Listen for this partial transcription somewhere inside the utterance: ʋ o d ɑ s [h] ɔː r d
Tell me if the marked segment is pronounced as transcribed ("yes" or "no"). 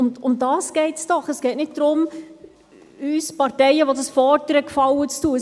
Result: no